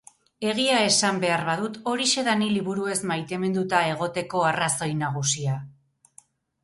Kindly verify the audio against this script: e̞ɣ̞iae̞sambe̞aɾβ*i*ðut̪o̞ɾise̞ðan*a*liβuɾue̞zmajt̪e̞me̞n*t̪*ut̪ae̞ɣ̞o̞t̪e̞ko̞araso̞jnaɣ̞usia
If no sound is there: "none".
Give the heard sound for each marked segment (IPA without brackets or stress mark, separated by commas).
a, i, d̪